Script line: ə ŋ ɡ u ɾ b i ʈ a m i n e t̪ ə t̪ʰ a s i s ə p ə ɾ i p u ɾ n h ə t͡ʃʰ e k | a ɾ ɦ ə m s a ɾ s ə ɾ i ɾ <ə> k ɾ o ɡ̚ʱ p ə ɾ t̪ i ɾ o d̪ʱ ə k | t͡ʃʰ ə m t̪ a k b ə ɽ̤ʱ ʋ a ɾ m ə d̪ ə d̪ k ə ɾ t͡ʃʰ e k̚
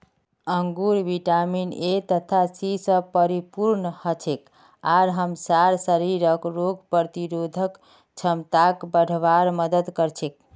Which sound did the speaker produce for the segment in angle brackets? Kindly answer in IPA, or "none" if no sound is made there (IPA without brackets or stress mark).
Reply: ə